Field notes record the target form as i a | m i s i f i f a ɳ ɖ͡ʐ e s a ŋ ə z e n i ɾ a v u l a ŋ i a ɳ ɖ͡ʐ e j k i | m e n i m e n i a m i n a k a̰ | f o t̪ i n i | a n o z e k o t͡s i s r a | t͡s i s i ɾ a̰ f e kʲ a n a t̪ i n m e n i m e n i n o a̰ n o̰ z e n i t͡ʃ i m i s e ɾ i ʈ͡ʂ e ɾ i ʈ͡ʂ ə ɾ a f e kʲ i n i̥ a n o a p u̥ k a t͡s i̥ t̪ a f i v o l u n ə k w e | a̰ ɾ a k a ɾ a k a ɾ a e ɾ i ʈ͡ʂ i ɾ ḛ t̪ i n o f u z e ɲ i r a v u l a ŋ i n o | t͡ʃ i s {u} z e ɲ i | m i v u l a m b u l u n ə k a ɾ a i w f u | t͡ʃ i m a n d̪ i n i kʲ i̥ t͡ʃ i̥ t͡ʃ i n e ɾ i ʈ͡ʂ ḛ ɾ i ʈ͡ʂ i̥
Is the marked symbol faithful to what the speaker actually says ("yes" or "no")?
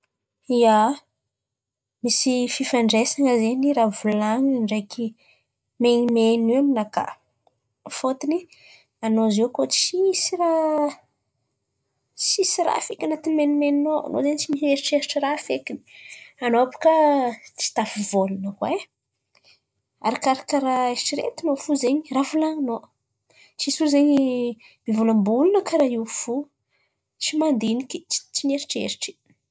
yes